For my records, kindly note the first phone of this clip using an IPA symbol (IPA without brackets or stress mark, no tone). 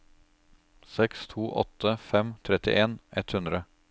s